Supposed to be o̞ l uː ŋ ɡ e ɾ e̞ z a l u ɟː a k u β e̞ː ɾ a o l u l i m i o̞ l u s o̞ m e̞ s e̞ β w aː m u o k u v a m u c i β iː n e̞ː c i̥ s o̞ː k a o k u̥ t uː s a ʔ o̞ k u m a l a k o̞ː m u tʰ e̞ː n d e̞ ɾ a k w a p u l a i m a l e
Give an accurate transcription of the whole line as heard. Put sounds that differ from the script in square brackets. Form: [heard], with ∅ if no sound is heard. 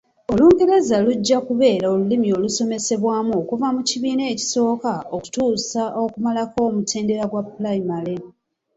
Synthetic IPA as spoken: o̞ l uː ŋ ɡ e ɾ e̞ z a l u ɟː a k u β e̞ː ɾ a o l u l i m i o̞ l u s o̞ m e̞ s e̞ β w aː m u o k u v a m u c i β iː n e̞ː c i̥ s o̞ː k a o k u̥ t uː s a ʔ o̞ k u m a l a k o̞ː m u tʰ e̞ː n d e̞ ɾ a [ɡ] w a p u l a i m a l e